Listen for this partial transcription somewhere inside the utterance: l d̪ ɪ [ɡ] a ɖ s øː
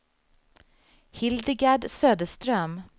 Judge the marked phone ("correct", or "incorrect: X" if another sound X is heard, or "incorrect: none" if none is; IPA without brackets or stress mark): correct